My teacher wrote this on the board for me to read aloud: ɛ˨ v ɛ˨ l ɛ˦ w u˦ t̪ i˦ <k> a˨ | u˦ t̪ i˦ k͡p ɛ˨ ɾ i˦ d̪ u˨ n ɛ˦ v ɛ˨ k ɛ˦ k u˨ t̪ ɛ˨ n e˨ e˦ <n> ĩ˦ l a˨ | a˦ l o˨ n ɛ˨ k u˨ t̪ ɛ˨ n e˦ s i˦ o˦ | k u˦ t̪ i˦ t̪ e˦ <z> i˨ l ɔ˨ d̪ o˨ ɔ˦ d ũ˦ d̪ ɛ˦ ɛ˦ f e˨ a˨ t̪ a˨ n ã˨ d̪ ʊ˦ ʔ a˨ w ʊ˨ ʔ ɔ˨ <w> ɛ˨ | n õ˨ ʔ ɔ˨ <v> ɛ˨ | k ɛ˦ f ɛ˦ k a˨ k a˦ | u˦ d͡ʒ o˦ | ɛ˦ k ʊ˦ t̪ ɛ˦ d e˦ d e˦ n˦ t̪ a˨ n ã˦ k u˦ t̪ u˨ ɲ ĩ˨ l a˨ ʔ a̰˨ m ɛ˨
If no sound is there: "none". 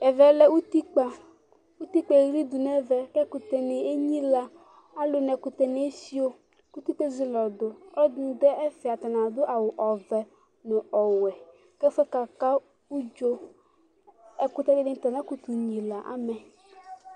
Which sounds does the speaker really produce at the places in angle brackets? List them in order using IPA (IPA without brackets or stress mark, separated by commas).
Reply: k͡p, ɲ, z, v, w